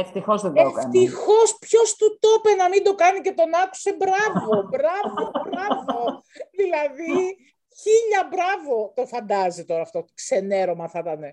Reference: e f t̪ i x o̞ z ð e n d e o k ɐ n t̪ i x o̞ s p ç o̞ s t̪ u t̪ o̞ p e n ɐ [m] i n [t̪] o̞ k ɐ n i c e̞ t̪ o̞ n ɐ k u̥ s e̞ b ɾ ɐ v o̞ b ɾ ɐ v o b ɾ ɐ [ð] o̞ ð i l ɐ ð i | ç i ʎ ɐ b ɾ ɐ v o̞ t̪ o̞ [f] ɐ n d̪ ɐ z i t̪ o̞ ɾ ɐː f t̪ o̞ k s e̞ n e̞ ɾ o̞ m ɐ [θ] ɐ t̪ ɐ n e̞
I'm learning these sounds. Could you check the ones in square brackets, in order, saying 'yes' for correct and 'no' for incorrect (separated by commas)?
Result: yes, no, no, yes, yes